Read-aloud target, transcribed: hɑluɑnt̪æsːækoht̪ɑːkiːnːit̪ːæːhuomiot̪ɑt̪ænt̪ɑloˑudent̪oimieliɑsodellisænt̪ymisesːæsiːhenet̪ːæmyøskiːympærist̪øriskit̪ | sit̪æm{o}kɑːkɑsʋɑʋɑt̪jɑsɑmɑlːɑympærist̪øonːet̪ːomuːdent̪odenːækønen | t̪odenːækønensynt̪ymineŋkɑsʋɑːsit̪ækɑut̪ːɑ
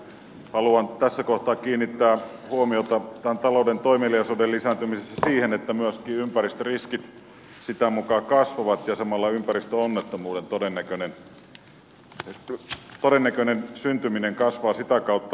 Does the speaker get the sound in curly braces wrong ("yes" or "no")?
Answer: yes